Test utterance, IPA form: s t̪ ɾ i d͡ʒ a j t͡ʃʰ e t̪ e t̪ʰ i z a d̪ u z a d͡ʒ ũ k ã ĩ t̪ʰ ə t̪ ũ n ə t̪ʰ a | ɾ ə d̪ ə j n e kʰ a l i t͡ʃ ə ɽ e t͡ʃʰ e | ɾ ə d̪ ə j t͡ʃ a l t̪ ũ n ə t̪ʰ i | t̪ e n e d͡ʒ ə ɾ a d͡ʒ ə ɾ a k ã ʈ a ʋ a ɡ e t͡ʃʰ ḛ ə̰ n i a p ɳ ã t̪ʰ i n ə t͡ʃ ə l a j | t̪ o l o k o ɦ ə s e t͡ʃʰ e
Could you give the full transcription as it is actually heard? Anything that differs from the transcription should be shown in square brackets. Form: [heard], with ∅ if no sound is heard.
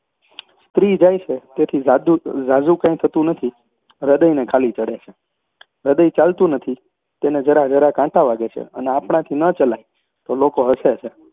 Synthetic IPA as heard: s t̪ ɾ i d͡ʒ a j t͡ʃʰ e t̪ e t̪ʰ i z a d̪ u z a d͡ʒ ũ k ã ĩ t̪ʰ ə t̪ ũ n ə t̪ʰ [i] | ɾ ə d̪ ə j n e kʰ a l i t͡ʃ ə ɽ e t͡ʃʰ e | ɾ ə d̪ ə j t͡ʃ a l t̪ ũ n ə t̪ʰ i | t̪ e n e d͡ʒ ə ɾ a d͡ʒ ə ɾ a k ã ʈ a ʋ a ɡ e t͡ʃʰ ḛ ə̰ n [e] a p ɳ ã t̪ʰ i n ə t͡ʃ ə l a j | t̪ o l o k o ɦ ə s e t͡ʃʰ e